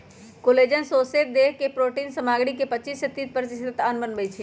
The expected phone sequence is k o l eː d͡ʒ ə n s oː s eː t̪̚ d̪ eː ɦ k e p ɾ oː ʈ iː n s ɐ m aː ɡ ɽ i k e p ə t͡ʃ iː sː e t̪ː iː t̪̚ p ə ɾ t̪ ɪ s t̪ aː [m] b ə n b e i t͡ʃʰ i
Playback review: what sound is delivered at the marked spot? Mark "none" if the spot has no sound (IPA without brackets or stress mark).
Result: n